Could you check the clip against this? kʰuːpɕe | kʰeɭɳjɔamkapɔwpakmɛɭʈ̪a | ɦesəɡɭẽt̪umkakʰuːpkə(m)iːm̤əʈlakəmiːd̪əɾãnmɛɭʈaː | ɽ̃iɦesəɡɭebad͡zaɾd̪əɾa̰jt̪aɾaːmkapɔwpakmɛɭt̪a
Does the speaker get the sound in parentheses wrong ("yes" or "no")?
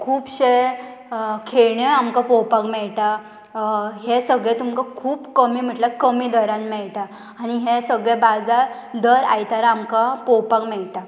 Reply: no